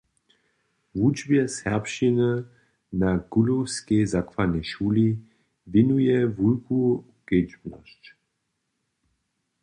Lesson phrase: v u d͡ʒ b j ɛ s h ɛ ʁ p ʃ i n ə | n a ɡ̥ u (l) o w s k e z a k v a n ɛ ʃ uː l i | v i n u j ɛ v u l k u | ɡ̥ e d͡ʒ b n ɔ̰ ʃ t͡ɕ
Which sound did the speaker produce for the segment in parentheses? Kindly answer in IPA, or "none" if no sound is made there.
l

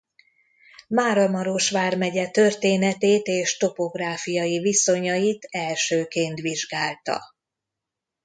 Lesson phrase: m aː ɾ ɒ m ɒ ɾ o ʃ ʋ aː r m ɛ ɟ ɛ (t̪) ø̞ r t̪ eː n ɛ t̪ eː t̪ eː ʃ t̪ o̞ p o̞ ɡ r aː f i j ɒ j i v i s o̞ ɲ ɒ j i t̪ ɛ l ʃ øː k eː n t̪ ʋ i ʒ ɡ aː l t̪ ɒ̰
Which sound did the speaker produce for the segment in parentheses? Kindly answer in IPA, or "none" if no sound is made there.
t̪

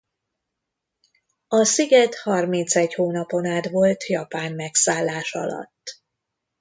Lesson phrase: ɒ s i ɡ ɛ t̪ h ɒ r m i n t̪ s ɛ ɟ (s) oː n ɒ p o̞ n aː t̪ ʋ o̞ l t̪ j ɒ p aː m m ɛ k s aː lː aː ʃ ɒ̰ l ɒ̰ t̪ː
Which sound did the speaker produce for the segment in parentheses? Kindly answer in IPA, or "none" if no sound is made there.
h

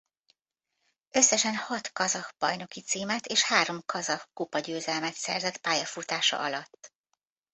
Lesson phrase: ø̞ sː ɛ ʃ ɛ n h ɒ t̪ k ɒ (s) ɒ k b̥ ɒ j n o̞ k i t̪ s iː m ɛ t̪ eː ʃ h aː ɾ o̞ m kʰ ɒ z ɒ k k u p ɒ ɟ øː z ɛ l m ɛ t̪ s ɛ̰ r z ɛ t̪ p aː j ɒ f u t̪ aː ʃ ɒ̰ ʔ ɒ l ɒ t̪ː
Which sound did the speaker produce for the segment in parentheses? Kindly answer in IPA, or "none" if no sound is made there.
z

